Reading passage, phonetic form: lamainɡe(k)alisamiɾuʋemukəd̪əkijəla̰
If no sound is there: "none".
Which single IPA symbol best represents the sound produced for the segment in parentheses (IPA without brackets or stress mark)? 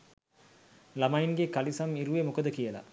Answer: k